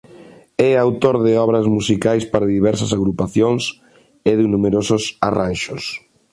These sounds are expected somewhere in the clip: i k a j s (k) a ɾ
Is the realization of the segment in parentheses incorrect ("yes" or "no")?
yes